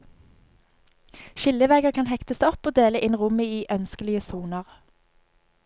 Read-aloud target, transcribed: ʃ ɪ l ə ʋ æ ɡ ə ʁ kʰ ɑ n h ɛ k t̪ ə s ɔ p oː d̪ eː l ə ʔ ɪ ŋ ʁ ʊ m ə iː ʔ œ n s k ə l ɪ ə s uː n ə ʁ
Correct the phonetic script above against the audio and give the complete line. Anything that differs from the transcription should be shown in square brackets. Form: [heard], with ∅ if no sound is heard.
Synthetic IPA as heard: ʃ ɪ l ə ʋ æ ɡ ə ʁ kʰ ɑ n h ɛ k t̪ ə s ɔ p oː d̪ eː l ə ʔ ɪ [n] ʁ ʊ m ə iː ʔ œ n s k ə l ɪ ə s uː n ə ʁ